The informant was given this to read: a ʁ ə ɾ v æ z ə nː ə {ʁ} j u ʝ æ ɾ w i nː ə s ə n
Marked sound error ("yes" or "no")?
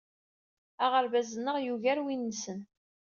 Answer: no